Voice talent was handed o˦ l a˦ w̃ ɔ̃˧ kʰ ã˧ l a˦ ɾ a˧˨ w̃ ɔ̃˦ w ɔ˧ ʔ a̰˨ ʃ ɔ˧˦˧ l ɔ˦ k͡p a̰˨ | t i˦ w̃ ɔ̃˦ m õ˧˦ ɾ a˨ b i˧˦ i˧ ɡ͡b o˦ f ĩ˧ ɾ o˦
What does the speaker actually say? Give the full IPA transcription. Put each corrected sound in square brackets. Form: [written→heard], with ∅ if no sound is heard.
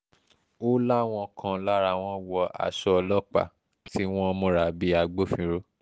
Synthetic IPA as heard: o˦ l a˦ w̃ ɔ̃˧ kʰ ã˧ l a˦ ɾ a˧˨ w̃ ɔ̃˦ w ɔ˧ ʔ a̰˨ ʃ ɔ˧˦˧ l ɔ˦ k͡p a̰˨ | t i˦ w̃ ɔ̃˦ m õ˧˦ ɾ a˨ b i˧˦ [i˧→a˧] ɡ͡b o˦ f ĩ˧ ɾ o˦